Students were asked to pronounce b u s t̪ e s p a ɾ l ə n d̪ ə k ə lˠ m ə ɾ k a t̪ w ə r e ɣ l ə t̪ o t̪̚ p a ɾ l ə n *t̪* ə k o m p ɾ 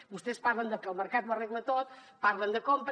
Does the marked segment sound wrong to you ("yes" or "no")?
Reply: yes